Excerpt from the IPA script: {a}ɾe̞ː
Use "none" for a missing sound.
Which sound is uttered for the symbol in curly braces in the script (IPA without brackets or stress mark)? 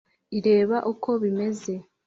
i